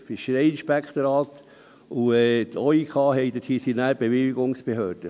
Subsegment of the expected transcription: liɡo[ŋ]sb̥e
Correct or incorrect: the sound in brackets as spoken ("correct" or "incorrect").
correct